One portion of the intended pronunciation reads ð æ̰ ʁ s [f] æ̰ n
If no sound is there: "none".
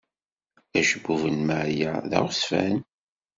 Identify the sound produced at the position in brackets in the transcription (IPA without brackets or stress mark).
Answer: f